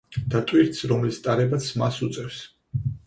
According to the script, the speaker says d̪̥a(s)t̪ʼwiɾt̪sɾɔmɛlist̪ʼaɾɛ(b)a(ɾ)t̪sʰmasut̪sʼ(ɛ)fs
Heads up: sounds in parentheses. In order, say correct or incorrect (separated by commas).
incorrect, correct, incorrect, correct